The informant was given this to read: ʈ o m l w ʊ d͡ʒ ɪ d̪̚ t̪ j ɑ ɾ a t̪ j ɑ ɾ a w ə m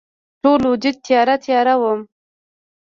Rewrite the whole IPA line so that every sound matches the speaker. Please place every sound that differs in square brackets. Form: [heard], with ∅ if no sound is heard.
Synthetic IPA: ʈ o [∅] l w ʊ d͡ʒ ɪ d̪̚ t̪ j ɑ ɾ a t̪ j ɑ ɾ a w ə m